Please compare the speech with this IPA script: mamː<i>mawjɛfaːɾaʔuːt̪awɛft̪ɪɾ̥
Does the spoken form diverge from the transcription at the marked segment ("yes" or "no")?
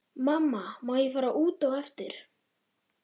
yes